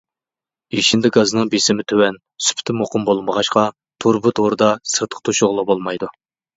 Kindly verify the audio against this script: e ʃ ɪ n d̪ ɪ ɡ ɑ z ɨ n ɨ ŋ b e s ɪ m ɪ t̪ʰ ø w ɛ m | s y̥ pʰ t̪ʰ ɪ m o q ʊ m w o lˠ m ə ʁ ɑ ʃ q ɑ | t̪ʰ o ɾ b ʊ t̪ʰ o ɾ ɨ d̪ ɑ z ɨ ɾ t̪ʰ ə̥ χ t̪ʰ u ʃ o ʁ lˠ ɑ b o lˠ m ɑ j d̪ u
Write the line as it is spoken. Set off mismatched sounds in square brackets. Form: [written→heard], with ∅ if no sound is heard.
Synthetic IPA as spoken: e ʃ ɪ n d̪ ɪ ɡ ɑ z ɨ n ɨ ŋ b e s ɪ m ɪ t̪ʰ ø w ɛ [m→n] | s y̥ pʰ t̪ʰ ɪ m o q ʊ m [w→b] o lˠ m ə ʁ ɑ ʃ q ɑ | t̪ʰ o ɾ b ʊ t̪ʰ o ɾ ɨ d̪ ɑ [z→s] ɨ ɾ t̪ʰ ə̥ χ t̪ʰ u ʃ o ʁ lˠ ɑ b o lˠ m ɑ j d̪ u